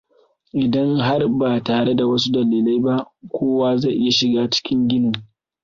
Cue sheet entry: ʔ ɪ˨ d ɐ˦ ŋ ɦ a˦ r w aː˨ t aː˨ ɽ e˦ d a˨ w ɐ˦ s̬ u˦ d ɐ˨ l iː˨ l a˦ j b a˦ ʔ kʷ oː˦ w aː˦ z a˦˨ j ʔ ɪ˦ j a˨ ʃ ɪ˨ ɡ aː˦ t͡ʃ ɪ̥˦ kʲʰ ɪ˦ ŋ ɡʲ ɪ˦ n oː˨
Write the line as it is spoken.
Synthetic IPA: ʔ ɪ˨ d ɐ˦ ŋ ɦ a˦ r b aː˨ t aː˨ ɽ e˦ d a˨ w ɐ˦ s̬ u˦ d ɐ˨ l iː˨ l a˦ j b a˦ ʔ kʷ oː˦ w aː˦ z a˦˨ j ʔ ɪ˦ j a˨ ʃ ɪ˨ ɡ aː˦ t͡ʃ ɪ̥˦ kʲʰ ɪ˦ ŋ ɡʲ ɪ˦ n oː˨

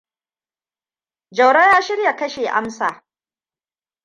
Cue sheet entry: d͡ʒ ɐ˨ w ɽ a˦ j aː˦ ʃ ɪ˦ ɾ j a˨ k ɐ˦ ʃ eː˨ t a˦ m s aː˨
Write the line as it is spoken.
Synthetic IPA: d͡ʒ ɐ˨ w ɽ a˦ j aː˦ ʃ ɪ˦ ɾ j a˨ k ɐ˦ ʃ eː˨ ʔ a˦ m s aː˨

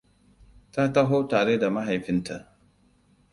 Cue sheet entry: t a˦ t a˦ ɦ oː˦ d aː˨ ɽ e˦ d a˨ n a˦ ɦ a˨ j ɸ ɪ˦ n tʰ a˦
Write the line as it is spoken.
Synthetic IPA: t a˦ t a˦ ɦ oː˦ t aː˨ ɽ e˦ d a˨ m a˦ ɦ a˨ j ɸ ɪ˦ n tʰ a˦

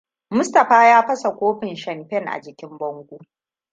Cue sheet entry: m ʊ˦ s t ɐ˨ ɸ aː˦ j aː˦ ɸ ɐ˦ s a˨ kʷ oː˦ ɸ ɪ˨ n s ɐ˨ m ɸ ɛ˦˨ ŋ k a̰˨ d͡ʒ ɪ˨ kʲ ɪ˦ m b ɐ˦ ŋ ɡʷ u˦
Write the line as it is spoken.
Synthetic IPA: m ʊ˦ s t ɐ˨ ɸ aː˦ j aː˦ ɸ ɐ˦ s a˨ kʷ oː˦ ɸ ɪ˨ n ʃ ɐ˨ m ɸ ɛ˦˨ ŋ ʔ a̰˨ d͡ʒ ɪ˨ kʲ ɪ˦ m b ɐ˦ ŋ ɡʷ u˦

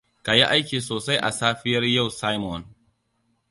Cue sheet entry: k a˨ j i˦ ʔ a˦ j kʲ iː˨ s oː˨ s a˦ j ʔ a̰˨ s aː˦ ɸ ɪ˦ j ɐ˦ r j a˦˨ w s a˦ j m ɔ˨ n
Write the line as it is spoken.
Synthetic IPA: k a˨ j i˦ ʔ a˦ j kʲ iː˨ s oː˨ s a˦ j ʔ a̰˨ s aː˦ ɸ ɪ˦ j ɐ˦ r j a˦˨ w s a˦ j m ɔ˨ n

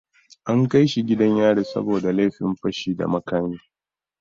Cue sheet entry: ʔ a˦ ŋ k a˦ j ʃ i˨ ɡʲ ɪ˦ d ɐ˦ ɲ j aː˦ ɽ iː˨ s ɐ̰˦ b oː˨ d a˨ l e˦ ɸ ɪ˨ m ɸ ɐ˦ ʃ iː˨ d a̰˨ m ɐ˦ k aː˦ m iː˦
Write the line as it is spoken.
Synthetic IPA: ʔ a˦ ŋ k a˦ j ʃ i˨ ɡʲ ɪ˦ d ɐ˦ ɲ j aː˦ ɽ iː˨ s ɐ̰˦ b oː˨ d a˨ l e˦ ɸ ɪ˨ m ɸ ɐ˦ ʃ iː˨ d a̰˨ m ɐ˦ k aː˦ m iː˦

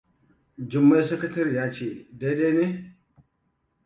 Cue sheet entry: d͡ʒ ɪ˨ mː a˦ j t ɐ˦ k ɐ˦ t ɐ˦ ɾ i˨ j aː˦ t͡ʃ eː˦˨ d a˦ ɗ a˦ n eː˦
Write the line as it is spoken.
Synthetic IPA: d͡ʒ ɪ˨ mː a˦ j s ɐ˦ k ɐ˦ t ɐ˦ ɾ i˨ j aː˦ t͡ʃ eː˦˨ d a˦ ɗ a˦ n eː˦

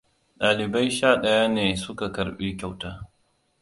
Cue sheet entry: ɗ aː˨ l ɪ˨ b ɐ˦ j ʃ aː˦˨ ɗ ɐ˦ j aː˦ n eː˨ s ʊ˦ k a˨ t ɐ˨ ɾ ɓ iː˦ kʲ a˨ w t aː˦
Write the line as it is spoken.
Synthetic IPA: ɗ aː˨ l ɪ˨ b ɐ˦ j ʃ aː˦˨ ɗ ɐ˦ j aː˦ n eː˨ s ʊ˦ k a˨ k ɐ˨ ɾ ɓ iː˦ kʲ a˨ w t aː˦

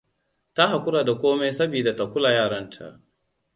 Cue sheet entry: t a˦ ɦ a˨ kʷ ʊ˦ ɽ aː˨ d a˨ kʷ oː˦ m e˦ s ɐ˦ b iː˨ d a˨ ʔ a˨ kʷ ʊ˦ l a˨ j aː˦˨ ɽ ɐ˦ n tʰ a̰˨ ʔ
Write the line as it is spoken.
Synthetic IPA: t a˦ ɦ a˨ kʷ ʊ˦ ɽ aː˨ d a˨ kʷ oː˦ m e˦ s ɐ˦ b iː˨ d a˨ t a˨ kʷ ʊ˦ l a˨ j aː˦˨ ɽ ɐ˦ n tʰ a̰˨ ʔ

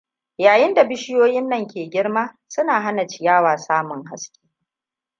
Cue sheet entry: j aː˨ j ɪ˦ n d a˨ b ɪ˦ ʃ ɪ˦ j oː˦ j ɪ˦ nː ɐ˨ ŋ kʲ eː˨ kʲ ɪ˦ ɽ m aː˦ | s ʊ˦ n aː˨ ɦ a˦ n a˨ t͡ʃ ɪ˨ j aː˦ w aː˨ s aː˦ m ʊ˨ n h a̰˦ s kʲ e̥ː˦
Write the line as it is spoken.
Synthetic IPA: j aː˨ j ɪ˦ n d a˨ b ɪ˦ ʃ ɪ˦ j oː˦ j ɪ˦ nː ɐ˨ ŋ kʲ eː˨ ɡʲ ɪ˦ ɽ m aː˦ | s ʊ˦ n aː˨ ɦ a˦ n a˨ t͡ʃ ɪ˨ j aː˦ w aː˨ s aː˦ m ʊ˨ ŋ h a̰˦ s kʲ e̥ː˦

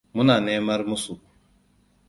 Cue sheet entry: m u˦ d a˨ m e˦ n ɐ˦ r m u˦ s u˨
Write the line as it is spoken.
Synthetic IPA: m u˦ n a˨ n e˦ m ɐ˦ ɾ m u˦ s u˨

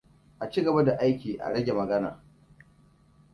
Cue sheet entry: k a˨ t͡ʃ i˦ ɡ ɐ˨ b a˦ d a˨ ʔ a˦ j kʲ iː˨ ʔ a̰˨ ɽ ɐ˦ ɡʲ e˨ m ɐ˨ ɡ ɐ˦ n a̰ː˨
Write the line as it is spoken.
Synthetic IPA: ʔ a˨ t͡ʃ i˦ ɡ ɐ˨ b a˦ d a˨ ʔ a˦ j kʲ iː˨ ʔ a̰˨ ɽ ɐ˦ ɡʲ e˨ m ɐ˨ ɡ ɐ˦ n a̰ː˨

